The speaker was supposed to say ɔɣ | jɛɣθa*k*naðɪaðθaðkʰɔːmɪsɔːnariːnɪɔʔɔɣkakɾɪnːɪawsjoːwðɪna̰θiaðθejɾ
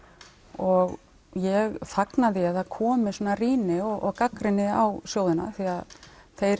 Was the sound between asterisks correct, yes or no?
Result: yes